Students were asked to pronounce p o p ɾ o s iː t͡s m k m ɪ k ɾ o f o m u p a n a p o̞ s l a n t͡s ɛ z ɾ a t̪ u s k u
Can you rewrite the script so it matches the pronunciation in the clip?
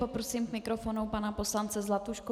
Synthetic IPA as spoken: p o p ɾ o s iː m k m ɪ k ɾ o f o n u p a n a p o̞ s l a n t͡s ɛ z l a t̪ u ʃ k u